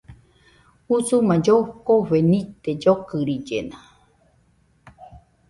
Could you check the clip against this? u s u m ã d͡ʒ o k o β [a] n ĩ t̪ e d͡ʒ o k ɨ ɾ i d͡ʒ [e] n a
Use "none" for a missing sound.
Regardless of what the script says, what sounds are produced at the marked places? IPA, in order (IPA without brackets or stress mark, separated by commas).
e, e